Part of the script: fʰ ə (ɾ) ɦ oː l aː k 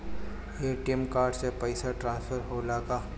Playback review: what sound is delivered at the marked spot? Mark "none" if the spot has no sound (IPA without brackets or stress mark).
ɾ